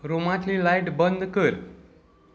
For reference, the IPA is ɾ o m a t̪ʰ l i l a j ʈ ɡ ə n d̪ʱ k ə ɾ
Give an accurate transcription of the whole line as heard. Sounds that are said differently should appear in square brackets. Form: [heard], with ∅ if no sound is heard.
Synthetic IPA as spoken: ɾ o m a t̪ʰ l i l a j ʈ [b] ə n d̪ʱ k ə ɾ